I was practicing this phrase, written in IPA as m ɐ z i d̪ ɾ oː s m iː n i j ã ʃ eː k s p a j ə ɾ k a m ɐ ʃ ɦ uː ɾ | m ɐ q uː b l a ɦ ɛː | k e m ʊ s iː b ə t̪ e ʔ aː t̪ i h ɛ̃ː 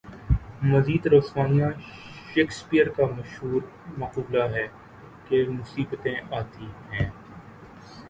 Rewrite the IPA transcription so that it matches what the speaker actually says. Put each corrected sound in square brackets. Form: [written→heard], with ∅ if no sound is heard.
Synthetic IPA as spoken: m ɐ z [i→iː] d̪ ɾ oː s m [iː→aː] n i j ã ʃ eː k s p [a→i] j ə ɾ k a m ɐ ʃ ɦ uː ɾ | m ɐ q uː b l a ɦ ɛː | k e m ʊ s iː b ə t̪ [e→ẽ] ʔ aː t̪ i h ɛ̃ː